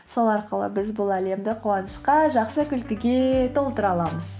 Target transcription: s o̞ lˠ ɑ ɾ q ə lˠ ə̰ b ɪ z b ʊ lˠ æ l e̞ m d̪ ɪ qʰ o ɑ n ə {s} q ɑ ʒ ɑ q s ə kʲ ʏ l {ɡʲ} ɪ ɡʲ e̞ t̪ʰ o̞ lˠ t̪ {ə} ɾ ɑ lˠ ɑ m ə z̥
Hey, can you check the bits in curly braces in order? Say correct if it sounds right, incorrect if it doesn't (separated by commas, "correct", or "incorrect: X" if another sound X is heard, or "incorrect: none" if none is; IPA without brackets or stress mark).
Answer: incorrect: ʃ, incorrect: kʲ, correct